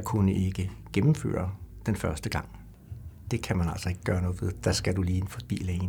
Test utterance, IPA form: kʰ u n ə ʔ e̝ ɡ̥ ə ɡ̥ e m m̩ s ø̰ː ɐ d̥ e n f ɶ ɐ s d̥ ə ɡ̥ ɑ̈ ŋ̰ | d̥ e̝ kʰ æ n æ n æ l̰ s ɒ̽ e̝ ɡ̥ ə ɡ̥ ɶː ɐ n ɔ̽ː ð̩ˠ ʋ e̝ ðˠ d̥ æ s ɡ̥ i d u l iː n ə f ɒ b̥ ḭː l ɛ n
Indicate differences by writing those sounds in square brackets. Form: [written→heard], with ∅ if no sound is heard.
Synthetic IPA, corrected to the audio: kʰ u n ə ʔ e̝ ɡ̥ ə ɡ̥ e m m̩ [s→f] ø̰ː ɐ d̥ e n f ɶ ɐ s d̥ ə ɡ̥ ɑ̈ ŋ̰ | d̥ e̝ kʰ æ [n→m] æ n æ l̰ s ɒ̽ e̝ ɡ̥ ə ɡ̥ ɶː ɐ n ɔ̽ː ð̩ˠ ʋ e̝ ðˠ d̥ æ s ɡ̥ [i→æ] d u l iː n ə f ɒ b̥ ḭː l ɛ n